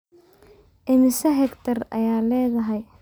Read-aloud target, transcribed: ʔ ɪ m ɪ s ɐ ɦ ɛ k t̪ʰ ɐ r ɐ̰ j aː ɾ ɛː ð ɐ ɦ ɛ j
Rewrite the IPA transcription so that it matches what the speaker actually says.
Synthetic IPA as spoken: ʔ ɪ m ɪ s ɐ ɦ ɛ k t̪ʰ ɐ r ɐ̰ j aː l ɛː ð ɐ ɦ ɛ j

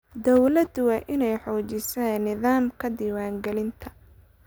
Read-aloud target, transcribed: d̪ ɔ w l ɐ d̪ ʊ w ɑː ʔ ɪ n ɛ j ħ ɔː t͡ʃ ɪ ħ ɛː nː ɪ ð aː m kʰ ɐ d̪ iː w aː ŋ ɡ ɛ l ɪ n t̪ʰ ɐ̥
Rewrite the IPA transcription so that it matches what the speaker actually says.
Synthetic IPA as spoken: d̪ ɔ w l ɐ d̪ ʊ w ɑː ʔ ɪ n ɛ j ħ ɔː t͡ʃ ɪ s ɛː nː ɪ ð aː m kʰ ɐ d̪ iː w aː ŋ ɡ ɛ l ɪ n t̪ʰ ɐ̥

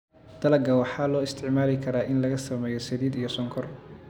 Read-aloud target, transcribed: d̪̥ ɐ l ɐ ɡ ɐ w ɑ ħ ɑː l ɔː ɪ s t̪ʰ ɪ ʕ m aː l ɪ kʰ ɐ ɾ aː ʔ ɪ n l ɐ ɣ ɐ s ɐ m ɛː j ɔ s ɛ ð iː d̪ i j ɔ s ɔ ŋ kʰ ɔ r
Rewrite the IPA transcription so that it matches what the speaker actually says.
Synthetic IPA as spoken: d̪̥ ɐ l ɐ ɡ ɐ w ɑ ħ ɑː l ɔː ɪ s t̪ʰ ɪ ʕ m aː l ɪ kʰ ɐ ɾ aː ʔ ɪ n l ɐ ɣ ɐ s ɐ m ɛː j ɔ s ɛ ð iː d̪ i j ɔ s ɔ ŋ kʰ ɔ r

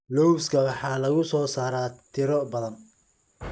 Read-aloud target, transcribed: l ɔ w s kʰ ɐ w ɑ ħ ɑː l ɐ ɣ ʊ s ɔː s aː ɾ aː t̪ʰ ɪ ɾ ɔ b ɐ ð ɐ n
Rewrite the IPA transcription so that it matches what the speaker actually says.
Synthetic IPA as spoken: l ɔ w s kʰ ɐ w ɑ ħ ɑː l ɐ ɣ ʊ s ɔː s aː ɾ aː t̪ʰ ɪ ɾ ɔ b ɐ ð ɐ n

